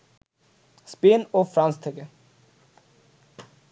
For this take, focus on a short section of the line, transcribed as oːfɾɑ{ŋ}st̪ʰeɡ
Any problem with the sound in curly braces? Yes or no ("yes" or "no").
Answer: yes